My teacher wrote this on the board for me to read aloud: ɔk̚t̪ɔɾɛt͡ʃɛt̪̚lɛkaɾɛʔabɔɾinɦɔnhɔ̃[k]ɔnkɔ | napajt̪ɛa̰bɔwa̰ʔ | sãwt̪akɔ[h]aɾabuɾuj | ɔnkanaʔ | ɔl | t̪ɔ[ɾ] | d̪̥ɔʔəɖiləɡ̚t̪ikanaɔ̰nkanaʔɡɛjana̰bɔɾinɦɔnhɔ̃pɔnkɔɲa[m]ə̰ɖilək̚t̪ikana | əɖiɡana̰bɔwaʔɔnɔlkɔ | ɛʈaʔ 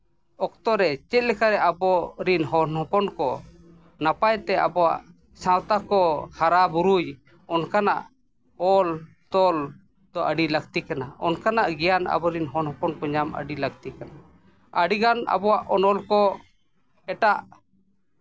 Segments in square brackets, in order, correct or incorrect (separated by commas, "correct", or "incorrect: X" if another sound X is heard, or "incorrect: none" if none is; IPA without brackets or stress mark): incorrect: p, correct, incorrect: l, correct